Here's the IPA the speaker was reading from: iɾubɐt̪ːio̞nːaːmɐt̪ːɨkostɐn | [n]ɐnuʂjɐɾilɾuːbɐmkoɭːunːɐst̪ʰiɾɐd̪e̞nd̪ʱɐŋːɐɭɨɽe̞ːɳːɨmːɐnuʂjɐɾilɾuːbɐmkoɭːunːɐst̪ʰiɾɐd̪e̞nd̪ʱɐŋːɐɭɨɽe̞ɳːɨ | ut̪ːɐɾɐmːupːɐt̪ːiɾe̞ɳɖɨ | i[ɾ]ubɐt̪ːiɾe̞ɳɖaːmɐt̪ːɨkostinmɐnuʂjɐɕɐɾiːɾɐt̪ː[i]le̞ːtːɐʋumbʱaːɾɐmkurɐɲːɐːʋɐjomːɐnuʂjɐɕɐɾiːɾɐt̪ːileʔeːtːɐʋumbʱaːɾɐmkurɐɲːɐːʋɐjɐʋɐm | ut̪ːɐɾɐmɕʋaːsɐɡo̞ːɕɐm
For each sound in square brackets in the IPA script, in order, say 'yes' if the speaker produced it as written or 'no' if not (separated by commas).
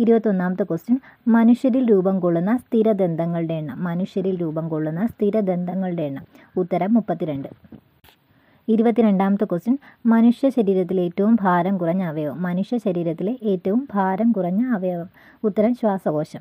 no, yes, yes